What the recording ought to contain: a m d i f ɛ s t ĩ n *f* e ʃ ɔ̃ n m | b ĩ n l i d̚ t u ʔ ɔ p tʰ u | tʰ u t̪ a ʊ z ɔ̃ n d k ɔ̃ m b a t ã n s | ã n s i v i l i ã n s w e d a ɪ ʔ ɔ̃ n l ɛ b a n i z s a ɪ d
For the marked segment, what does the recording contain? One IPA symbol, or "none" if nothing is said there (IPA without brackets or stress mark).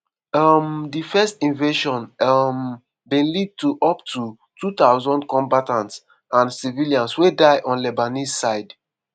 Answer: v